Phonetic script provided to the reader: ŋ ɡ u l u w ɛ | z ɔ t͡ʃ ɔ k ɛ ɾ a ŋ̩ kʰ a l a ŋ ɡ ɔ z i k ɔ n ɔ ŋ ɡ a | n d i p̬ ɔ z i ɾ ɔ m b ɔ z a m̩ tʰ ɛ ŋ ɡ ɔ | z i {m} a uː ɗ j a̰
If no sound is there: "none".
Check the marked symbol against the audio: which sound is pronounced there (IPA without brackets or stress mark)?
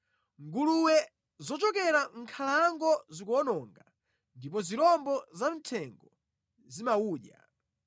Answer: m